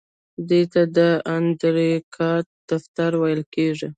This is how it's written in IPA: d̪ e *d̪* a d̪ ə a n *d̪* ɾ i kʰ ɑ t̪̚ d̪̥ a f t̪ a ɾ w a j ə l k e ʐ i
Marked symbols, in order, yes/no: no, yes

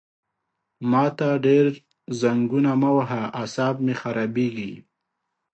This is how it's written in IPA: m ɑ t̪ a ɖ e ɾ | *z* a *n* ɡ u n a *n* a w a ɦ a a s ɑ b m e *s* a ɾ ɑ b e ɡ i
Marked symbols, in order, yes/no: yes, no, no, no

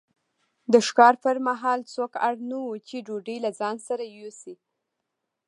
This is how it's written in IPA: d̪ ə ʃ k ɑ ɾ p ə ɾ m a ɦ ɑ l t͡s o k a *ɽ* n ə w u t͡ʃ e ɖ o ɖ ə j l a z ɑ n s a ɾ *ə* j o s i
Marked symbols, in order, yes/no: yes, no

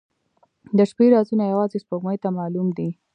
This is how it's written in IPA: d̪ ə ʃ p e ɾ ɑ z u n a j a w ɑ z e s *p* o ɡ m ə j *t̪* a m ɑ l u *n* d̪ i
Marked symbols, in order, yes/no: yes, yes, no

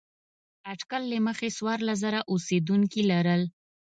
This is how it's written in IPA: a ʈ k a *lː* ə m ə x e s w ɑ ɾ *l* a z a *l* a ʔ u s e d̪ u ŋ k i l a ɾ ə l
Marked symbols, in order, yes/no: yes, yes, no

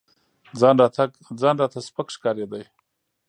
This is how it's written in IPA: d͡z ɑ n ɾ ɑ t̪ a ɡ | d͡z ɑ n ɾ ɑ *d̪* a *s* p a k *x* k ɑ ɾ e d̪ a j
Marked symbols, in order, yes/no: no, yes, no

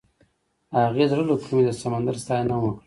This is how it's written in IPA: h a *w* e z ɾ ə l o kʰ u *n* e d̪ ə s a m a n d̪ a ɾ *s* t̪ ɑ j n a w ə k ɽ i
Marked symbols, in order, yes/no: no, no, yes

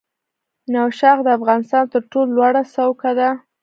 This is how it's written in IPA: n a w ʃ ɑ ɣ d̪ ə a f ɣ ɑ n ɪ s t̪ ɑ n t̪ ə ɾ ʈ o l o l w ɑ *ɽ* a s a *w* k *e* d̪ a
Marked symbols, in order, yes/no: yes, yes, no

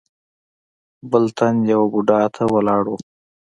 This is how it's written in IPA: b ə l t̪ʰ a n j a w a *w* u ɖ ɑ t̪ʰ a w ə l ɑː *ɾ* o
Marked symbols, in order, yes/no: no, no

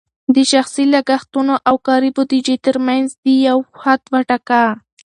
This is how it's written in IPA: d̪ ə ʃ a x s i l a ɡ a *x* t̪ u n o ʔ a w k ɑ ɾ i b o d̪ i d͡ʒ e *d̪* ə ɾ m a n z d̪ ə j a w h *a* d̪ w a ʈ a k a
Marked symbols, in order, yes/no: yes, no, yes

